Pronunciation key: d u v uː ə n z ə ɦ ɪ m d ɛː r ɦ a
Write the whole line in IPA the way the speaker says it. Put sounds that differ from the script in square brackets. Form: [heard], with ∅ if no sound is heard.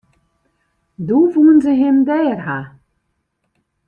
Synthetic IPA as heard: d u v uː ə n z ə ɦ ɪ m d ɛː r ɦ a